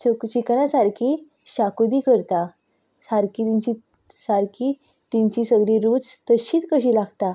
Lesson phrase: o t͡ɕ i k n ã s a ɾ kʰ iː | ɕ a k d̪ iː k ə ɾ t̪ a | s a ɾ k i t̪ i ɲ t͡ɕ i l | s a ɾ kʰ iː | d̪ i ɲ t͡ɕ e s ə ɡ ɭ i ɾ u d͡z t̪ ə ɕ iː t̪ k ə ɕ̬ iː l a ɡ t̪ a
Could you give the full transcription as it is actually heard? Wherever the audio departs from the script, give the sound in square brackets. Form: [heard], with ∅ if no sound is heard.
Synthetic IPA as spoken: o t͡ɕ i k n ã s a ɾ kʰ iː | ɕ a k d̪ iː k ə ɾ t̪ a | s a ɾ k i t̪ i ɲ t͡ɕ i [∅] | s a ɾ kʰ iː | [t̪] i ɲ t͡ɕ [i] s ə ɡ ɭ i ɾ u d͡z t̪ ə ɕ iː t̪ k ə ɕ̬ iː l a ɡ t̪ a